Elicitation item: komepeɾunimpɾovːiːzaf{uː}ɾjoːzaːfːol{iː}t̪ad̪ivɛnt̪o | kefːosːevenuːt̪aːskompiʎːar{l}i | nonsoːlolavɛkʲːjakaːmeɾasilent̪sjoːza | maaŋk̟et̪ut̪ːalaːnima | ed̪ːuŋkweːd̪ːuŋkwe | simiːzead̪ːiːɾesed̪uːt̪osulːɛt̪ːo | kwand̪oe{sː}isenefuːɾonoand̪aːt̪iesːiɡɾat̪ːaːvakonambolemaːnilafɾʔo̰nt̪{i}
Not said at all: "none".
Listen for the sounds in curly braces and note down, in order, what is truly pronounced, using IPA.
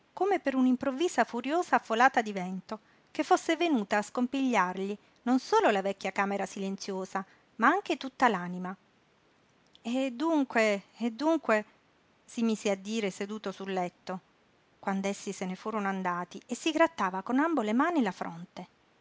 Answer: u, aː, ʎ, sː, e

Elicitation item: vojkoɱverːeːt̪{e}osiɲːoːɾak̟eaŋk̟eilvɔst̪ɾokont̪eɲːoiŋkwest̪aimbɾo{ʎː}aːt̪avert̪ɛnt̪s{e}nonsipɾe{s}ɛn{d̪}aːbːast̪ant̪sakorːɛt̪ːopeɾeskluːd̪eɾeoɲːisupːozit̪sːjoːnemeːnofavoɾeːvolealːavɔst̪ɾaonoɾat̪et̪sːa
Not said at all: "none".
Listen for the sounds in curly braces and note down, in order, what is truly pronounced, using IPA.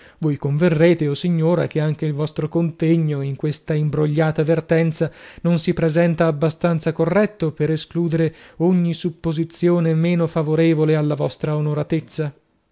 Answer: e, ʎː, a, z, t̪

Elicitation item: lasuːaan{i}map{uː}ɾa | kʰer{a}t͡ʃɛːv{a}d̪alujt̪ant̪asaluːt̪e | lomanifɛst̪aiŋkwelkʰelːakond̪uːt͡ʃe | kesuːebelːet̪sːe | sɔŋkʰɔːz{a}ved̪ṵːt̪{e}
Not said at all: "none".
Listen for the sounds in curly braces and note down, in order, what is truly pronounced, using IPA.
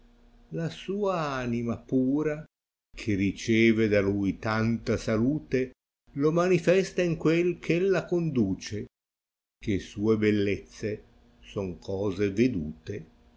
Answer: i, uː, i, e, e, e

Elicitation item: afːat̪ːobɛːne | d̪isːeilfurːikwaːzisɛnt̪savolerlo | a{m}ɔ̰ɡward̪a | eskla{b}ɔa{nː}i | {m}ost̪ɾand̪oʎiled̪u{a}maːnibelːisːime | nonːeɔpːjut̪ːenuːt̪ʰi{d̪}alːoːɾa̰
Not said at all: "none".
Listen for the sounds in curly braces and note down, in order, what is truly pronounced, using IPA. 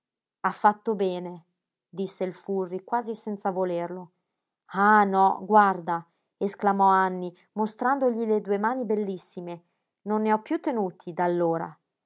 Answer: n, m, nː, m, e, d̪

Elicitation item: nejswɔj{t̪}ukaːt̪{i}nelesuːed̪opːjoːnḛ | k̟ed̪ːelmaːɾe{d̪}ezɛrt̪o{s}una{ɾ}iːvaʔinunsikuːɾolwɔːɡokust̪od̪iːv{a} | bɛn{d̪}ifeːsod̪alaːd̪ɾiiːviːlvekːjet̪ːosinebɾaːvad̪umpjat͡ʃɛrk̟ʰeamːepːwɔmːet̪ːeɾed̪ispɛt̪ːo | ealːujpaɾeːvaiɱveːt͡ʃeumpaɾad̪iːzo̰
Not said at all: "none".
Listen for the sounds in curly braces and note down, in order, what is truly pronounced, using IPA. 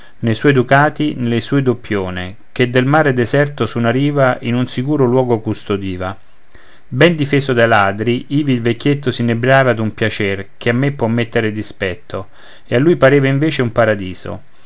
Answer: d̪, i, d̪, s, ɾ, a, d̪

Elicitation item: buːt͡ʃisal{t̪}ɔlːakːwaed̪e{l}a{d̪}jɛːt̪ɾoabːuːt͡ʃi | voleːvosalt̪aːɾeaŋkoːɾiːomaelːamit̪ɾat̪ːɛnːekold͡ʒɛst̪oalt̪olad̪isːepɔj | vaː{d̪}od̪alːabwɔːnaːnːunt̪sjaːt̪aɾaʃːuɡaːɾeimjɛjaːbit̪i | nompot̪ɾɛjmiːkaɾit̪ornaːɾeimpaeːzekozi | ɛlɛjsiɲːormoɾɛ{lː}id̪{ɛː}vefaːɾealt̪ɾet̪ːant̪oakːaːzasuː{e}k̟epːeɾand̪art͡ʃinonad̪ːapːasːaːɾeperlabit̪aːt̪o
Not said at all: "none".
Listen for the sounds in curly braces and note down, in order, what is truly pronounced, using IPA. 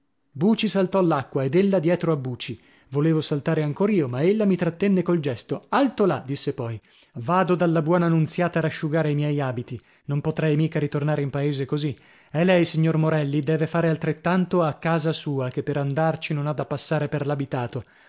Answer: t̪, lː, d̪, d̪, lː, ɛː, a

